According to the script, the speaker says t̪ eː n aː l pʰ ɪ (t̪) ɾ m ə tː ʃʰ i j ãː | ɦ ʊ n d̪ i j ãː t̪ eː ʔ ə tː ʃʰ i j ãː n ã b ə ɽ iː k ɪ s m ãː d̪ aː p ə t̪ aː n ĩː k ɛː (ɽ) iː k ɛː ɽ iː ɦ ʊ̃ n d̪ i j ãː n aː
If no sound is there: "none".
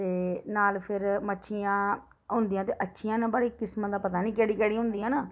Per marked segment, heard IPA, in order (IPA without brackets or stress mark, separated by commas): none, ɽ